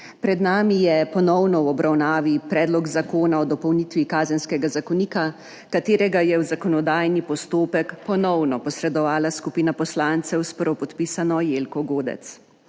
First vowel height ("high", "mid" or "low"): mid